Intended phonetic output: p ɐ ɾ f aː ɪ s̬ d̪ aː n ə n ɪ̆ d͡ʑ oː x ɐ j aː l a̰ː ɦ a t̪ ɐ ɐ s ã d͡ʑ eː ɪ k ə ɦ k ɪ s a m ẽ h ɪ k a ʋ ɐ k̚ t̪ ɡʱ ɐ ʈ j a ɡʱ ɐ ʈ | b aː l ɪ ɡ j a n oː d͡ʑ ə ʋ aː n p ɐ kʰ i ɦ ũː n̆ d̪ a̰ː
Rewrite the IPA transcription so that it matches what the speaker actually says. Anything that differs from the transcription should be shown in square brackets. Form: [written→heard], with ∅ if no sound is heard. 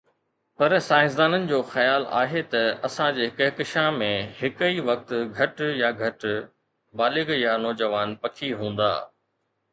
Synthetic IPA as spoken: p ɐ ɾ [f→s] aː ɪ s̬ d̪ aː n ə n ɪ̆ d͡ʑ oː x ɐ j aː l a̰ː ɦ [a→e] t̪ ɐ ɐ s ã d͡ʑ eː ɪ k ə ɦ k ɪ [s→ʃ] a m ẽ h ɪ k [a→i] ʋ ɐ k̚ t̪ ɡʱ ɐ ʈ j a ɡʱ ɐ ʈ | b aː l ɪ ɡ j a n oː d͡ʑ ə ʋ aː n p ɐ kʰ i ɦ ũː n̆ d̪ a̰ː